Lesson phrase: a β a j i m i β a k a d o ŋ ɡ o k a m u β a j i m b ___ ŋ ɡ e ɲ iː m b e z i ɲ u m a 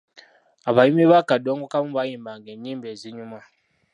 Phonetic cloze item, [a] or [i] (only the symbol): a